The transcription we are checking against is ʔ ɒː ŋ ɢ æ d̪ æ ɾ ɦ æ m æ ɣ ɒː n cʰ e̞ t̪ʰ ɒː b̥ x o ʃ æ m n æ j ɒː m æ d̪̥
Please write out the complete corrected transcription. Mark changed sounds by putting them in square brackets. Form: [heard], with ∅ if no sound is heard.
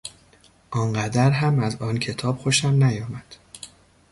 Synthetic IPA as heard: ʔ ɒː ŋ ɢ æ d̪ æ ɾ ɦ æ m æ [z] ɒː n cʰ e̞ t̪ʰ ɒː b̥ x o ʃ æ m n æ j ɒː m æ d̪̥